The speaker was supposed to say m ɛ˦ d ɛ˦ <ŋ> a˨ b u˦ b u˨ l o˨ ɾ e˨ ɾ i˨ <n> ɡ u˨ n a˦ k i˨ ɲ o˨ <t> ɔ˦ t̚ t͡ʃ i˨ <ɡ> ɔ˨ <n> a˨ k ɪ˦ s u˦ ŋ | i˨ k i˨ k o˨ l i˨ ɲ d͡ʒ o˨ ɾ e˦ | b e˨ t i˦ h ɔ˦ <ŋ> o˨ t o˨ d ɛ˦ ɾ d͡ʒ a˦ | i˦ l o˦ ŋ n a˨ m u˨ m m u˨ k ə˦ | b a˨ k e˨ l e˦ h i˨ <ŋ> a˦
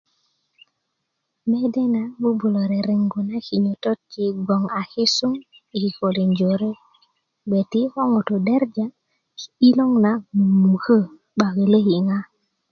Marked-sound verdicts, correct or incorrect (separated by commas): incorrect, incorrect, correct, correct, incorrect, correct, correct